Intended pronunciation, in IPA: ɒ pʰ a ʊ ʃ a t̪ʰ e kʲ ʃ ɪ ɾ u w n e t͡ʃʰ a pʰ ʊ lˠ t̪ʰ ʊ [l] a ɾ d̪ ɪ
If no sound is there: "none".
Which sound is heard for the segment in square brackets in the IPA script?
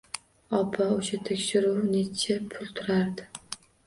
ɾ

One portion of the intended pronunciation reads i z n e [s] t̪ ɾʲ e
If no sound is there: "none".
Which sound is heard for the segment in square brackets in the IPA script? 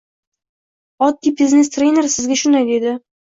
s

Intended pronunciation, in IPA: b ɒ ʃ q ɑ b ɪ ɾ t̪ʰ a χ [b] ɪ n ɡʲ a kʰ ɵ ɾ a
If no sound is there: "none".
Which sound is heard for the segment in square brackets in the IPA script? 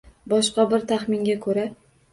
m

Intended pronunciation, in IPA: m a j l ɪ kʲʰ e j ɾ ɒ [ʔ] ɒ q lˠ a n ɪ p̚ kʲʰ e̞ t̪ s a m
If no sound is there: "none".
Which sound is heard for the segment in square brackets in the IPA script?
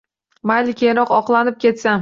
q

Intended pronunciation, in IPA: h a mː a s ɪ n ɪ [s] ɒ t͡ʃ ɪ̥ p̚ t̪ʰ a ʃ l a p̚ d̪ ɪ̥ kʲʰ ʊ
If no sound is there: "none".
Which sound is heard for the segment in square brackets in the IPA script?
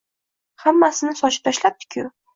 s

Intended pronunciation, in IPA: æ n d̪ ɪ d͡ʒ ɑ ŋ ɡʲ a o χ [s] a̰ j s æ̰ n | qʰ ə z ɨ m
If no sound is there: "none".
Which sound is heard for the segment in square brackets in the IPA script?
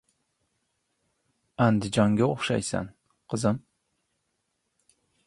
ʃ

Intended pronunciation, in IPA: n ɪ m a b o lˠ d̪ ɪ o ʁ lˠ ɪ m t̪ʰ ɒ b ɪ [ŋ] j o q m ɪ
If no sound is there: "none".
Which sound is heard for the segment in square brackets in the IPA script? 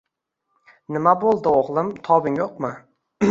ŋ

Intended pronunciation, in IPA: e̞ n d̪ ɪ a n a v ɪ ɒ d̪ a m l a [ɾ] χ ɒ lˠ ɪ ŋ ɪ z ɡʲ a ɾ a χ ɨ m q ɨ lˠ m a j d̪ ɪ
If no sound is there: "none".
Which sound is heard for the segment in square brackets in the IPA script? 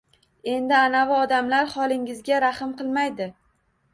ɾ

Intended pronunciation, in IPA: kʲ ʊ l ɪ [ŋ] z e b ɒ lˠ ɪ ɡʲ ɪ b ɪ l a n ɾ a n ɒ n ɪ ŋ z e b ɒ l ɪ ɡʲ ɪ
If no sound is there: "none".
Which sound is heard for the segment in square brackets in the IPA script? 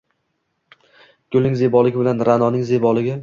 ŋ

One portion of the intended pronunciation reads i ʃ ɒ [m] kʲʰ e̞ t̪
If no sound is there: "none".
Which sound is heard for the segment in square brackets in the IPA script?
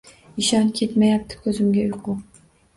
n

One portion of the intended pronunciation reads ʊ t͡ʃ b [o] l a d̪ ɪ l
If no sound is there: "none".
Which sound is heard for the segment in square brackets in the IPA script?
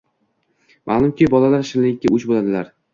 o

